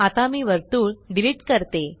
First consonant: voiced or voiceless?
voiceless